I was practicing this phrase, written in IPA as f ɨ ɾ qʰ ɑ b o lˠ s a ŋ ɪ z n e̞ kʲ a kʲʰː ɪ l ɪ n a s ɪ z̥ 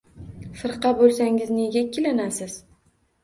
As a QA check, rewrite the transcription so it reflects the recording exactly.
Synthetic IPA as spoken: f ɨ ɾ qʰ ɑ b o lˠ s a ŋ ɪ z n e̞ ɡʲ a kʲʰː ɪ l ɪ n a s ɪ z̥